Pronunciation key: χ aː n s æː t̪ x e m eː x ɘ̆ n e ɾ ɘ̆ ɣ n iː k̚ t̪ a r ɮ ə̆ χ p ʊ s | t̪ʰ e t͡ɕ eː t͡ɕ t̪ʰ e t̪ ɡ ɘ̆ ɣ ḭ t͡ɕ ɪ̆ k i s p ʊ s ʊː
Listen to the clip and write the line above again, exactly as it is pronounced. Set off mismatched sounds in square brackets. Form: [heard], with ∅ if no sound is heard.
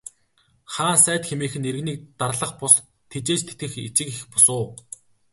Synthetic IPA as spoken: χ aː n s æː t̪ x e m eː x ɘ̆ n e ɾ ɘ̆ ɣ n iː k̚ t̪ a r ɮ ə̆ χ p ʊ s | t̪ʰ e t͡ɕ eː t͡ɕ t̪ʰ e t̪ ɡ ɘ̆ [x] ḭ t͡ɕ ɪ̆ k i [x] p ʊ s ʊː